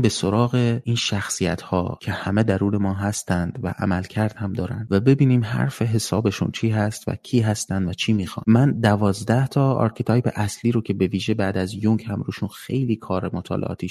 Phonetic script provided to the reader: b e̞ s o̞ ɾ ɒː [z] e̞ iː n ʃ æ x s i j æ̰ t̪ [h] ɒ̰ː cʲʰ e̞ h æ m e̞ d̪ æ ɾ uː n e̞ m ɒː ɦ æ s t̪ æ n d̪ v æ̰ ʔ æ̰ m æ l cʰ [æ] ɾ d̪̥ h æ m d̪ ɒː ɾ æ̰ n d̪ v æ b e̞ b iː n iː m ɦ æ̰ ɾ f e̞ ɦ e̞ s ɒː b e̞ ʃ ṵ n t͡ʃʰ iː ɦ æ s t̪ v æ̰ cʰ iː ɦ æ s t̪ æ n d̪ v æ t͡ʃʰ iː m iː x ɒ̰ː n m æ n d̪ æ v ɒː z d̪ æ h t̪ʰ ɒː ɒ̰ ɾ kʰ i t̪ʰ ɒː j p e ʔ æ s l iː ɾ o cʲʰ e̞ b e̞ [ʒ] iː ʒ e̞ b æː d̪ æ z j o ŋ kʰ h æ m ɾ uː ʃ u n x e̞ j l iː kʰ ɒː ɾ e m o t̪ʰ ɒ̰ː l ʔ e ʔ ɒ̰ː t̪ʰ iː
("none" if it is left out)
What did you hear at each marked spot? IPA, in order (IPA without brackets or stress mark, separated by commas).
ɣ, h, æ, v